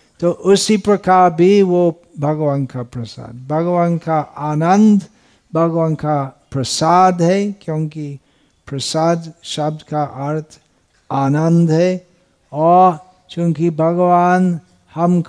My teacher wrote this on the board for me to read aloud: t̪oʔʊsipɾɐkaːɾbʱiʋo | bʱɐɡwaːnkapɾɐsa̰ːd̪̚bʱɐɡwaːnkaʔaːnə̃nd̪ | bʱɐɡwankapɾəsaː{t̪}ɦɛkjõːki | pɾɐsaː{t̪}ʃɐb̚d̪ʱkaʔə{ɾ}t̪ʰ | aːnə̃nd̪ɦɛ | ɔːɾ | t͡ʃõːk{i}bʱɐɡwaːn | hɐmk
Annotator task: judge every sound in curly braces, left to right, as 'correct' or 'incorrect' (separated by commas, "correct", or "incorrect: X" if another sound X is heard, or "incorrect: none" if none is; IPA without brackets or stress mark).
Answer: incorrect: d̪, incorrect: d̪, correct, correct